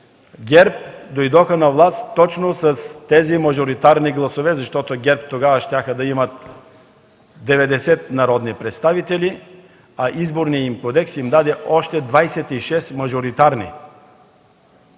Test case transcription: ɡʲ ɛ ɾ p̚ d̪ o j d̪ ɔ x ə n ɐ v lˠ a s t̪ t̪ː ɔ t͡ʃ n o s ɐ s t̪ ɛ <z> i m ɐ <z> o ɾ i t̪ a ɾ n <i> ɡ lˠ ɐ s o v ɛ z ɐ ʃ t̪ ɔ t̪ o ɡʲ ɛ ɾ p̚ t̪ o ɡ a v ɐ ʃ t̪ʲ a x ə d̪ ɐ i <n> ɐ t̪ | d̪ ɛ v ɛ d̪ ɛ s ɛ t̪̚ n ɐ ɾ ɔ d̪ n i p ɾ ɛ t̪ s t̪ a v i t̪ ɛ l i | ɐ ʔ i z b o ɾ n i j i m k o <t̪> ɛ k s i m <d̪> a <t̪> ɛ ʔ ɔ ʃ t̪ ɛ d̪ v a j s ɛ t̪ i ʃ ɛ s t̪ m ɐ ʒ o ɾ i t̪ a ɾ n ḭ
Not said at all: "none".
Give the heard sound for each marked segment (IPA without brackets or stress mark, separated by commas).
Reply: z, ʒ, i, m, d̪, d̪, d̪